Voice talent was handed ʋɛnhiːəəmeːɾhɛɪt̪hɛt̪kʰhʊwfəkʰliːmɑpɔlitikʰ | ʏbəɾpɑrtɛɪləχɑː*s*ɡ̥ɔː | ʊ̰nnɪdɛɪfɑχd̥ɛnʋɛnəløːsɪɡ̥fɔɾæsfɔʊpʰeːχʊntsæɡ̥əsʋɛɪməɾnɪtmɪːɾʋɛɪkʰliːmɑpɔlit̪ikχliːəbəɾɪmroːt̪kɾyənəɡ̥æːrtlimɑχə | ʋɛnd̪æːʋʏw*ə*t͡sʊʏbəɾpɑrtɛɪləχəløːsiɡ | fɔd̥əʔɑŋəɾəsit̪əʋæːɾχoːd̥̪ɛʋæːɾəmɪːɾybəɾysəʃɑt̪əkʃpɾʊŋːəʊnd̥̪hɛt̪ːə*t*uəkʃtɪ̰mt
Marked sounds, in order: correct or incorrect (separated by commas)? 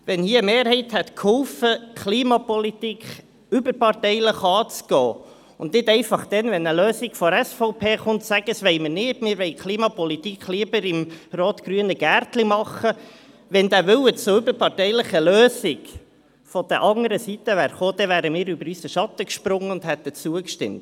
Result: incorrect, correct, incorrect